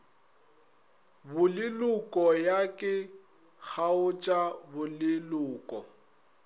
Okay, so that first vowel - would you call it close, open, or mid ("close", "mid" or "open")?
close